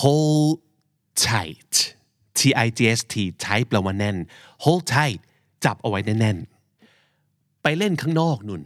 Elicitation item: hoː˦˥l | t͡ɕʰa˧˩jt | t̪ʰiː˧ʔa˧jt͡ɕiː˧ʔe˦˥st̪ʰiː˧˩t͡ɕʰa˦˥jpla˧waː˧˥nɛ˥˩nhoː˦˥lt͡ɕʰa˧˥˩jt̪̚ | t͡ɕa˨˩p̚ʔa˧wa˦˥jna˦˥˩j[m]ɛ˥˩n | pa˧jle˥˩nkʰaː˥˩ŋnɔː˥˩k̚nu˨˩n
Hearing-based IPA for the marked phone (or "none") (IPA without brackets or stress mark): n